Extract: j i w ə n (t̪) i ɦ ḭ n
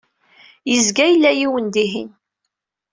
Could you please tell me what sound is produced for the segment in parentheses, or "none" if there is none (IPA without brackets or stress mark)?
d̪